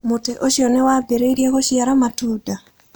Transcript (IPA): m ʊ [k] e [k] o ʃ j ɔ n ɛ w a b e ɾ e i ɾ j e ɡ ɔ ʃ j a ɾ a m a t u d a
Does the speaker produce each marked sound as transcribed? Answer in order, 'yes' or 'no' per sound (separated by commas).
no, no